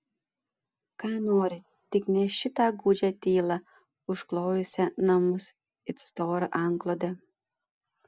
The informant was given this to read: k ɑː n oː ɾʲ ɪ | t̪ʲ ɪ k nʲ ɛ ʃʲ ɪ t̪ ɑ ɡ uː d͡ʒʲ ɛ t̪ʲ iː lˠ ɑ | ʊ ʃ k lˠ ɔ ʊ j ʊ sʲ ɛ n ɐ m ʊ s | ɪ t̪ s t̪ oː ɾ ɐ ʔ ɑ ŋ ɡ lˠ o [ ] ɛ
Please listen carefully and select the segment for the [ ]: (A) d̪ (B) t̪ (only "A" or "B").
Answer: A